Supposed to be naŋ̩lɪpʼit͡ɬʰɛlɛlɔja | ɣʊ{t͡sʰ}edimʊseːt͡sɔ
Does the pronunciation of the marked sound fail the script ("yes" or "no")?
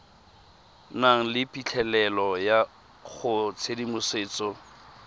no